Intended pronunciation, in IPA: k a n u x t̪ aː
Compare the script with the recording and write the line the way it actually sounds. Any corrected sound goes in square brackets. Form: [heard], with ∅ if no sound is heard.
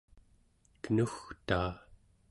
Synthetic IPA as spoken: k [ə] n u x t̪ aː

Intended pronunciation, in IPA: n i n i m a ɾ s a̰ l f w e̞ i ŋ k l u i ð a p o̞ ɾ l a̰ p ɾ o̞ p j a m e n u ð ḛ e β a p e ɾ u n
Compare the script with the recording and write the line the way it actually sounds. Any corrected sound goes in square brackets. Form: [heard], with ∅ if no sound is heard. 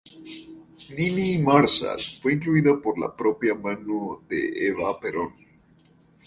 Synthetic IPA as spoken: n i n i m a ɾ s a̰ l f w e̞ i ŋ k l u i ð a p o̞ ɾ l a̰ p ɾ o̞ p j a m [a] n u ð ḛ e β a p e ɾ [o] n

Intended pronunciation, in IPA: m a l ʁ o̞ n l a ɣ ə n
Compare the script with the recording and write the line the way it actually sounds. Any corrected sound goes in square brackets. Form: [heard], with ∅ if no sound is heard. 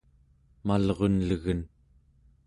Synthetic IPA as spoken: m a l ʁ o̞ n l [ə] ɣ ə n

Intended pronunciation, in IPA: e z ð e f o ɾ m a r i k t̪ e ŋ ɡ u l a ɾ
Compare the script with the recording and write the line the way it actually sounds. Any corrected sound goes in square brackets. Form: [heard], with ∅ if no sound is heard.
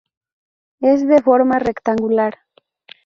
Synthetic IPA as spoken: e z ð e f o ɾ m a r [e] k t̪ [a] ŋ ɡ u l a ɾ

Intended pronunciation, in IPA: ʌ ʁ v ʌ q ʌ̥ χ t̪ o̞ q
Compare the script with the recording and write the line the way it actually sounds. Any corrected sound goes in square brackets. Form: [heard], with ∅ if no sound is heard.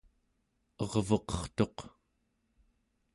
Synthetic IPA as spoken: ʌ ʁ v ʌ q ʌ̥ χ t̪ o̞ q

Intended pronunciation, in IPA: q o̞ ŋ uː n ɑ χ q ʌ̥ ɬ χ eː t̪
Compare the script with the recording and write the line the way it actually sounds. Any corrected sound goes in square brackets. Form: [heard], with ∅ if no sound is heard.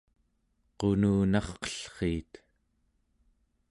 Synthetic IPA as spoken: q o̞ [n] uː n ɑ χ q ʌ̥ ɬ χ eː t̪

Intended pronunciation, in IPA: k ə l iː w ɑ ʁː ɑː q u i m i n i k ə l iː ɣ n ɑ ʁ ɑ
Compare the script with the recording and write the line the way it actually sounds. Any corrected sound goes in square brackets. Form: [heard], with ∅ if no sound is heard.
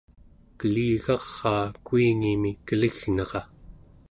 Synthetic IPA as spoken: k ə l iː [ɣ] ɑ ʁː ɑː [k] u i [ŋ] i [m] i k ə l [i] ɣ n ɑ ʁ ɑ

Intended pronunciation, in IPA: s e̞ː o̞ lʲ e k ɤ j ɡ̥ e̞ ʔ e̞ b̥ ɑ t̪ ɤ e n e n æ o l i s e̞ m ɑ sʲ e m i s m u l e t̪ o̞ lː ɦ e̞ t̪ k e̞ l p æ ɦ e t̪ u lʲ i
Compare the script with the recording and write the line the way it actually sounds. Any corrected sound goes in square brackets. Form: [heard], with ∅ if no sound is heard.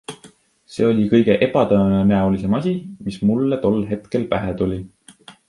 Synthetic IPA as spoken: s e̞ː o̞ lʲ [i] k ɤ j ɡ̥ e̞ ʔ e̞ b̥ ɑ t̪ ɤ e n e n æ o l i s e̞ m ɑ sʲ [i] m i s m u [lː] e t̪ o̞ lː ɦ e̞ t̪ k e̞ l p æ ɦ e t̪ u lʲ i

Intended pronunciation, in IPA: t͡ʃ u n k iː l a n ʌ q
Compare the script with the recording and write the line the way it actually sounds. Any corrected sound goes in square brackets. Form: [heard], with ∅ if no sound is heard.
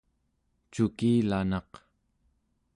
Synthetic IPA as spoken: t͡ʃ u [∅] k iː l a n [ɑ] q

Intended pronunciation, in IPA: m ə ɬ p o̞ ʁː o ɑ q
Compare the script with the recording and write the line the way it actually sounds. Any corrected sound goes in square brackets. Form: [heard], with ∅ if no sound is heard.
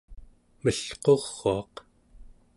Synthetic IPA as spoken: m ə ɬ [q] o̞ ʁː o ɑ q

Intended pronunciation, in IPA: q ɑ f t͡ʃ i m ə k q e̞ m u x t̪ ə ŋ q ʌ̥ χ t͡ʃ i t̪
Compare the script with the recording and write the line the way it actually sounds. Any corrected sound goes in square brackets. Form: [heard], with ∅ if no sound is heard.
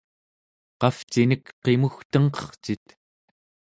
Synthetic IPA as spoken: q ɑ f t͡ʃ i [n] ə k q e̞ m u x t̪ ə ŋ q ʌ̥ χ t͡ʃ i t̪

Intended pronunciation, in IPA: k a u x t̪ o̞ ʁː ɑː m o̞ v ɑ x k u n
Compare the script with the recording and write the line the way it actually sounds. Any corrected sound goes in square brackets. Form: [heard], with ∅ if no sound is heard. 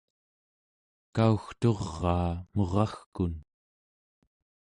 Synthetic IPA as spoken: k a u x t̪ o̞ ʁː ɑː m o̞ [ʁ] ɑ x k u n

